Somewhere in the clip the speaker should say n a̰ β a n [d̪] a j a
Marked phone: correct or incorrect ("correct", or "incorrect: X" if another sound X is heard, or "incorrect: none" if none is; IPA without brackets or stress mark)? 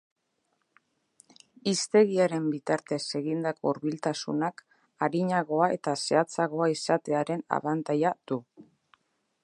incorrect: t̪